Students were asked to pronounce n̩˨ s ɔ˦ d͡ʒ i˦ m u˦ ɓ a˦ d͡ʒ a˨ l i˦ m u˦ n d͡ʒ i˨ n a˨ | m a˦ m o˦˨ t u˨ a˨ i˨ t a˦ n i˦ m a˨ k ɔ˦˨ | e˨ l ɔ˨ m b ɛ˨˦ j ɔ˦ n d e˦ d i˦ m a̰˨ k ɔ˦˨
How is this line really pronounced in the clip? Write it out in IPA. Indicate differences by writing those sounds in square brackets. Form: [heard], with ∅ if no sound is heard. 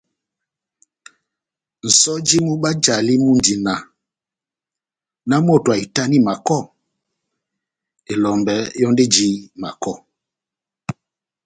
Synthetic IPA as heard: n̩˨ s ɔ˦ d͡ʒ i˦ m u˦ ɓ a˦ d͡ʒ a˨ l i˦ m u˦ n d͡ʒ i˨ n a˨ | [n] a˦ m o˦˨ t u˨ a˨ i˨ t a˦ n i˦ m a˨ k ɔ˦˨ | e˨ l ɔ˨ m b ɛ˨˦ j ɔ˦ n d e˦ [d͡ʒ] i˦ m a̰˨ k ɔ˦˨